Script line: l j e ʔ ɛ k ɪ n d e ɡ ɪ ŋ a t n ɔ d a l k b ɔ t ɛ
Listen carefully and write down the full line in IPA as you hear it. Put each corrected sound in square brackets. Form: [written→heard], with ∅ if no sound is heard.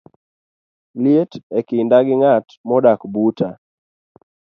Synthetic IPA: l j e [ʔ→t] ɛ k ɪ n d [e→a] ɡ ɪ ŋ a t [n→m] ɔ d a [l→∅] k b [ɔ→u] t [ɛ→a]